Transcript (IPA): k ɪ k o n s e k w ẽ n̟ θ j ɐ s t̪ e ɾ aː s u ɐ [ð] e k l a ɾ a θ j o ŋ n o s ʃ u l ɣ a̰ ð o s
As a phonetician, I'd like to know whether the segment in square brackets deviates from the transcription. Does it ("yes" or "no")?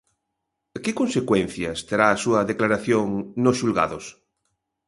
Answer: no